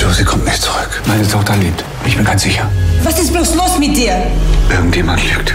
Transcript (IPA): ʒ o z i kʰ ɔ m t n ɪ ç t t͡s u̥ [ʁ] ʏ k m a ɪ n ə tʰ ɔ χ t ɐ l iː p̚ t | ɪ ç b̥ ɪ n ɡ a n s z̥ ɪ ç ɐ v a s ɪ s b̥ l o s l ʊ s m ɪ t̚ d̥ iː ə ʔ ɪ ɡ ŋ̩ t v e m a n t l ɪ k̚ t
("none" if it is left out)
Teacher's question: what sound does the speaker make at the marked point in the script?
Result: ʁ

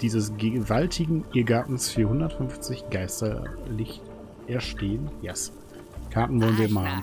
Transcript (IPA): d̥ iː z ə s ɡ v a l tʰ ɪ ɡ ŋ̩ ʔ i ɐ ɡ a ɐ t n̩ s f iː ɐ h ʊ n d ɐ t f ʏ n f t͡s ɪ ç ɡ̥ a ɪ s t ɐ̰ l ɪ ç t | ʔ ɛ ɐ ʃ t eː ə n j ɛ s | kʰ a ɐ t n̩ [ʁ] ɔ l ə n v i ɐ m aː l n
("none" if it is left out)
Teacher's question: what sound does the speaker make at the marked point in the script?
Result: v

